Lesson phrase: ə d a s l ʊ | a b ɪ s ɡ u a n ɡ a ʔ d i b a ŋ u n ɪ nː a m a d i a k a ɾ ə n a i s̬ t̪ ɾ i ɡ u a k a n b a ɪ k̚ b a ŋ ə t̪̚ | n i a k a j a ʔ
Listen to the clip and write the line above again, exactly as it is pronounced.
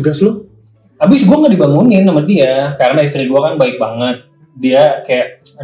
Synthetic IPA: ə ɡ a s l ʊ | a b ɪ s ɡ u a ŋ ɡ a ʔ d i b a ŋ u n ɪ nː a m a d i a k a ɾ ə n a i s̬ t̪ ɾ i ɡ u a k a n b a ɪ k̚ b a ŋ ə t̪̚ | d i a k a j a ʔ